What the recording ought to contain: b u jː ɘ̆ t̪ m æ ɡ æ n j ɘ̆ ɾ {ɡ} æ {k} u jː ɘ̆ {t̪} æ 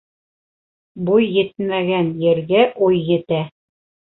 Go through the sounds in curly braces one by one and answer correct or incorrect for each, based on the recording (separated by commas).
correct, incorrect, correct